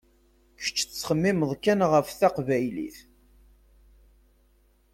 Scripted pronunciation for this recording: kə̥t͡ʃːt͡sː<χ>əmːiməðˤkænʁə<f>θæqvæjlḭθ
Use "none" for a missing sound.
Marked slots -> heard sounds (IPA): χ, f

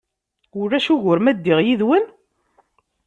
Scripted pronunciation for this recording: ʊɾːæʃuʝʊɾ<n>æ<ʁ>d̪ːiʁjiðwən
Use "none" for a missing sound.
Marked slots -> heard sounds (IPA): m, none

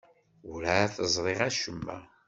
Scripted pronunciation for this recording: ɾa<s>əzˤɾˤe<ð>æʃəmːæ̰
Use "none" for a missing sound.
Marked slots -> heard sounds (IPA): θ, ʁ

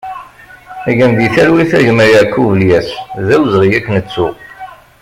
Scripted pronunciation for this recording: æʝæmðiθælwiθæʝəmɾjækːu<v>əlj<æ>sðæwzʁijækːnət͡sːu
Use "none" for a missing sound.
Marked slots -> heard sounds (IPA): v, æ

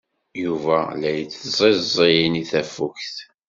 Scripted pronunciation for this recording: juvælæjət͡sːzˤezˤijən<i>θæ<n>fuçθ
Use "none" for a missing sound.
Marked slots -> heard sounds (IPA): i, none

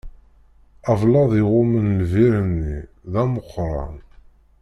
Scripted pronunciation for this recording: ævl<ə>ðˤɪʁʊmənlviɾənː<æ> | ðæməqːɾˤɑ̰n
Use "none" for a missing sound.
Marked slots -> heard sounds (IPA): ɑ, i

